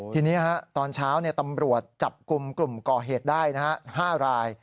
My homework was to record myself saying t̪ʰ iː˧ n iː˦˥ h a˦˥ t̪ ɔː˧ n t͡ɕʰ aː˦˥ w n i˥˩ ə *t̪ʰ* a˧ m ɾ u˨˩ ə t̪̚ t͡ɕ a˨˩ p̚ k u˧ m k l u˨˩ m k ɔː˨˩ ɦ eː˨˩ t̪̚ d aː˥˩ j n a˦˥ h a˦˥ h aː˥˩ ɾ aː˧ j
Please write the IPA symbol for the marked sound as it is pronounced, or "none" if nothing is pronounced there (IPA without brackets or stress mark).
t̪